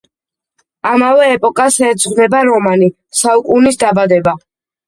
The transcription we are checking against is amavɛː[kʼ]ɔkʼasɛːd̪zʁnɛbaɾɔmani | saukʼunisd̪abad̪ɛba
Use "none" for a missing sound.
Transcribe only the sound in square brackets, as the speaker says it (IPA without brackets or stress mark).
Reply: pʼ